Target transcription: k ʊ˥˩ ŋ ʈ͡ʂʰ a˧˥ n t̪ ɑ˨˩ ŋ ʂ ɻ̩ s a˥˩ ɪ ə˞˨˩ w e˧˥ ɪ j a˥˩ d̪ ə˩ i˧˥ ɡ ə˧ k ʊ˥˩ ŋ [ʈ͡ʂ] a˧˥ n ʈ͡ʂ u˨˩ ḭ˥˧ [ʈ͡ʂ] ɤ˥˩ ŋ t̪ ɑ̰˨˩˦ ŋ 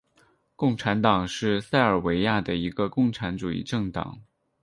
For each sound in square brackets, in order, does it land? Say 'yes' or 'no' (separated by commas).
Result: no, yes